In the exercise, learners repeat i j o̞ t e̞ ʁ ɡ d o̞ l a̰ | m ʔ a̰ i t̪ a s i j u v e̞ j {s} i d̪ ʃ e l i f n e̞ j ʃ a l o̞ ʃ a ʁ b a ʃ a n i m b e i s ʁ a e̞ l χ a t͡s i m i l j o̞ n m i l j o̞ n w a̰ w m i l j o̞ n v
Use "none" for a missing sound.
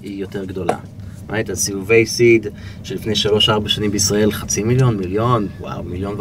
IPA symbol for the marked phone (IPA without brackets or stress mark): s